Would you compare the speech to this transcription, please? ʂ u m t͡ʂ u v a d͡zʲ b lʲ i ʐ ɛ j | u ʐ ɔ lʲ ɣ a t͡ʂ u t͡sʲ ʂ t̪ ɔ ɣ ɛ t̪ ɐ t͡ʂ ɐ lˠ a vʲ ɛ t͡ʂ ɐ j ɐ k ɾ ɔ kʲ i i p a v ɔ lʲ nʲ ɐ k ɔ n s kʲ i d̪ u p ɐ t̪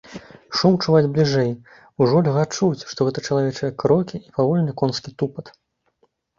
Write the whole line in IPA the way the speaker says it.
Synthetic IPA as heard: ʂ u m t͡ʂ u v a d͡zʲ b lʲ i ʐ ɛ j | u ʐ ɔ lʲ ɣ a t͡ʂ u t͡sʲ ʂ t̪ ɔ ɣ ɛ t̪ ɐ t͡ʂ ɐ lˠ a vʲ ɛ t͡ʂ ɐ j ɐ k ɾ ɔ kʲ i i p a v ɔ lʲ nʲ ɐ k ɔ n s kʲ i t̪ u p ɐ t̪